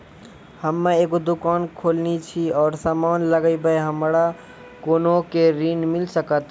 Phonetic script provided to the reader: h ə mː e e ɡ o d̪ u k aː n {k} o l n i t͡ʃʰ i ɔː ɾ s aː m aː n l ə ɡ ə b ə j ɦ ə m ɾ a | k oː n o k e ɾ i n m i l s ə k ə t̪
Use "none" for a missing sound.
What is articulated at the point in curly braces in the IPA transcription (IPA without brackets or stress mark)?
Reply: kʰ